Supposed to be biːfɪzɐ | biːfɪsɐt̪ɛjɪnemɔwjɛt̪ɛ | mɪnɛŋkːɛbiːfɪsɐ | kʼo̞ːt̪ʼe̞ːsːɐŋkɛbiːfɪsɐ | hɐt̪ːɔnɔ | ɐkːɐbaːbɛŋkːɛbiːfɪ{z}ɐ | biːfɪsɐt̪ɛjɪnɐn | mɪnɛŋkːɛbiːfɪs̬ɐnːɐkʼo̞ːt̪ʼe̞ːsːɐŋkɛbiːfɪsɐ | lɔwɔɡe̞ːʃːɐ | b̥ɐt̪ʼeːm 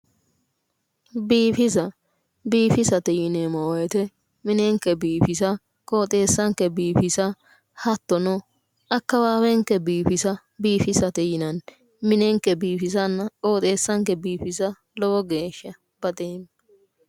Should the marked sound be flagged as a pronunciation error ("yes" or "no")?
yes